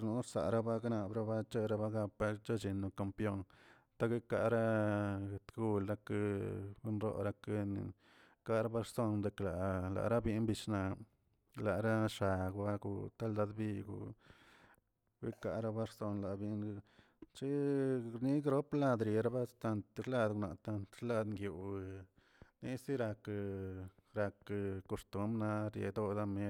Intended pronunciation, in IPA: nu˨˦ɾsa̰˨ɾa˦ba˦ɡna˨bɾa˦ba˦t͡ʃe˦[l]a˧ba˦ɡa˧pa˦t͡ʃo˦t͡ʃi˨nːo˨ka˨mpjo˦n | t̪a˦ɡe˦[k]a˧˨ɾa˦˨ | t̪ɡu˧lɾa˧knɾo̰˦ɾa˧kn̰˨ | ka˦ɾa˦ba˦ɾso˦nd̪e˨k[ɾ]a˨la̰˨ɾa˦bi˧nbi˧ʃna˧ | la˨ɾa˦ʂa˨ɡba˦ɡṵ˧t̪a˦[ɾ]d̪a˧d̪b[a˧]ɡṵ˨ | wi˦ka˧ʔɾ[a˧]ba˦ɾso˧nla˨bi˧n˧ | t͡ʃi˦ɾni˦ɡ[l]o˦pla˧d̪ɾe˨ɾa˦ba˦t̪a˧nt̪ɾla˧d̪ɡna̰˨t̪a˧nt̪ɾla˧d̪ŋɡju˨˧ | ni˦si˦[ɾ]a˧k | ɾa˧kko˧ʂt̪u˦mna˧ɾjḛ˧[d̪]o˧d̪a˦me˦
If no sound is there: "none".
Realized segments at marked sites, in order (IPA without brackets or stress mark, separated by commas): ɾ, k, l, l, i˧, a˧, ɾ, ɾ, d̪